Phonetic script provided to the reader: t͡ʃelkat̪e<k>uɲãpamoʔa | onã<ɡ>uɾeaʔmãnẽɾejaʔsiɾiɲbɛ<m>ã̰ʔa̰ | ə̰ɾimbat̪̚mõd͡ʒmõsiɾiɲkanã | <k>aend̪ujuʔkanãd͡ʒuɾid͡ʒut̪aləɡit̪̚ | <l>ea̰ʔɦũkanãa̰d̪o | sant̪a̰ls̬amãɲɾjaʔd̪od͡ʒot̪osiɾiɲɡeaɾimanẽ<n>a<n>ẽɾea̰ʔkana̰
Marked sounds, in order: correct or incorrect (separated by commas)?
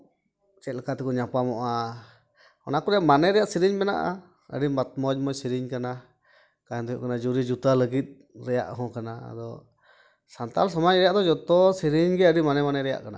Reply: correct, incorrect, incorrect, correct, incorrect, incorrect, correct